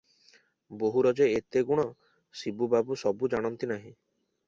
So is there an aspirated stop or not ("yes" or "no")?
no